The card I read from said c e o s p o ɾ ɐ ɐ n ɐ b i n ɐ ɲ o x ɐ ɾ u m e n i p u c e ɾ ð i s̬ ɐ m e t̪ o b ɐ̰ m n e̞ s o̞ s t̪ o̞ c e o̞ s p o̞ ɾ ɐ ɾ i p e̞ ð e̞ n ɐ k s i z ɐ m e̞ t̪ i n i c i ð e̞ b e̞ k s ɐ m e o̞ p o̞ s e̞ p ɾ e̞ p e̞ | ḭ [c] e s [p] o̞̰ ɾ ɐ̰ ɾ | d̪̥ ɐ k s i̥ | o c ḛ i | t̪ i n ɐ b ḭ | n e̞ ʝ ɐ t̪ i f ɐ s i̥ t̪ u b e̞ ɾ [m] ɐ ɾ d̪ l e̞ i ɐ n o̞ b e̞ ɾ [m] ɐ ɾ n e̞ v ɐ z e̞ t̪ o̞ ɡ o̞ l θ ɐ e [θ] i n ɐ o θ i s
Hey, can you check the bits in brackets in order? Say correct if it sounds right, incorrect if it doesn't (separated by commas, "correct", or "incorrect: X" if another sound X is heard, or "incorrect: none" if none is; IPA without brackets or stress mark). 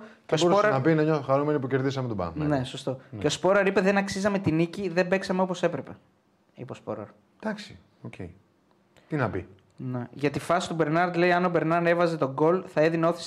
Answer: incorrect: p, correct, incorrect: n, incorrect: n, incorrect: ð